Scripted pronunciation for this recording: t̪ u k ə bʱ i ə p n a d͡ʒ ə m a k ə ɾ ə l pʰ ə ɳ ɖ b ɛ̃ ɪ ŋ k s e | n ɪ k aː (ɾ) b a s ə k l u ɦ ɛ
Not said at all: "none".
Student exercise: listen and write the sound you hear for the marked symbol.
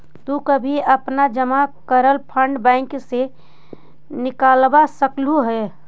l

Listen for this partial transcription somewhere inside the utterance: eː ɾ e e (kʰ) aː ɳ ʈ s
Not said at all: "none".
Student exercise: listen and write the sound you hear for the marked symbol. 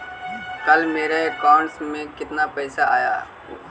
k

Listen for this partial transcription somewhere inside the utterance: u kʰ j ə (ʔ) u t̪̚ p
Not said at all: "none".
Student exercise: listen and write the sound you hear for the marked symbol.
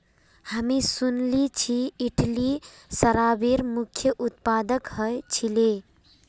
ʔ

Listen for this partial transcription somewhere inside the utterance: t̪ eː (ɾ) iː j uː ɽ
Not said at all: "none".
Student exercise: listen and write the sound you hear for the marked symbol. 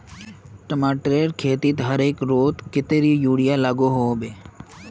ɾ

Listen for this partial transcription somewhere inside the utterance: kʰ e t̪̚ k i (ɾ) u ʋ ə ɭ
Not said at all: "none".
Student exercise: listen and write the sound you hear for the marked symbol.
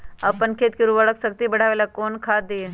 ɾ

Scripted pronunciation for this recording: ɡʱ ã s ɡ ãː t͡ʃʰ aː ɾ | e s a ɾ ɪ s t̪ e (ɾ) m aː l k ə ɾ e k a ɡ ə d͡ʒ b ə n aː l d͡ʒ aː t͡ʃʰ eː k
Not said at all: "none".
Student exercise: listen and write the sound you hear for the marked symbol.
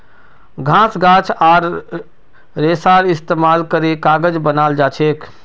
none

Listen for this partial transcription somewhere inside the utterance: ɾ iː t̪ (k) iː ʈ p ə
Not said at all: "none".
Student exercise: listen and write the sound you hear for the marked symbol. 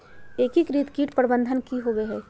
k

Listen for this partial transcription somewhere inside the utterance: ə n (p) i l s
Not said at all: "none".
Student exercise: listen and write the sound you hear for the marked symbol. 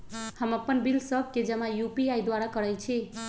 b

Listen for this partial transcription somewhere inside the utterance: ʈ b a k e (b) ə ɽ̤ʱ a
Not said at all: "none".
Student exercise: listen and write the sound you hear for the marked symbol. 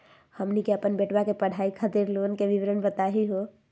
p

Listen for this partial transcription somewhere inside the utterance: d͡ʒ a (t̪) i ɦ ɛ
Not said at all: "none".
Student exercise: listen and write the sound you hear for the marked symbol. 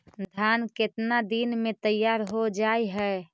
none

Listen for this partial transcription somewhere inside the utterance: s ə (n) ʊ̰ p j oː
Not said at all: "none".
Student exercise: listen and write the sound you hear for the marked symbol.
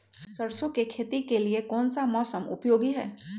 m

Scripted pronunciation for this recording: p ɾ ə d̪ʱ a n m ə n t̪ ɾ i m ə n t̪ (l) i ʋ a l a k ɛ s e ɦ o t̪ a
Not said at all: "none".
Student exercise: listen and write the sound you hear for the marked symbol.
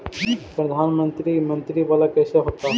ɾ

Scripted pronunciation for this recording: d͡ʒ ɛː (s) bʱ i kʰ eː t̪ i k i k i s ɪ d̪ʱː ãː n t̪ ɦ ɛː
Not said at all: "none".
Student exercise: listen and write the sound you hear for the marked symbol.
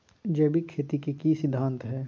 none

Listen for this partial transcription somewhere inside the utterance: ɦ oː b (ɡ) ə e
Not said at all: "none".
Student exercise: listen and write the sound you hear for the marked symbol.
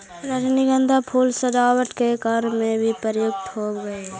ɡ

